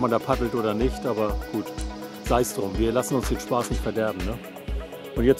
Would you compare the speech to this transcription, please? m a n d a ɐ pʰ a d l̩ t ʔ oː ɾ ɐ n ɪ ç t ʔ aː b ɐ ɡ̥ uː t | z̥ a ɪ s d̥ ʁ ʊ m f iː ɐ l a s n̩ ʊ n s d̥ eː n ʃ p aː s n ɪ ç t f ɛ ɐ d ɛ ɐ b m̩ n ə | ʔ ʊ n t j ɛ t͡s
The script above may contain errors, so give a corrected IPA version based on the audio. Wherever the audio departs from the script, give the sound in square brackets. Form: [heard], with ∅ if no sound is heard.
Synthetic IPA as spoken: m a n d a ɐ pʰ a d l̩ t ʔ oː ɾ ɐ n ɪ ç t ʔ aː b ɐ ɡ̥ uː t | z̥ a ɪ s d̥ ʁ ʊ m [v] iː ɐ l a s n̩ ʊ n s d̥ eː n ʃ p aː s n ɪ ç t f ɛ ɐ d ɛ ɐ b m̩ n ə | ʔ ʊ n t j ɛ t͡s